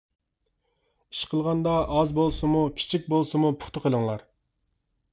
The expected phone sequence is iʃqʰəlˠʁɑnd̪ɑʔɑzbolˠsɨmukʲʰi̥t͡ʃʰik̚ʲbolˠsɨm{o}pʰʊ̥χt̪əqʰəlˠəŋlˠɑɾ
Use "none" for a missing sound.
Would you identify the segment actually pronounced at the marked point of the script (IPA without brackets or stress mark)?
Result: u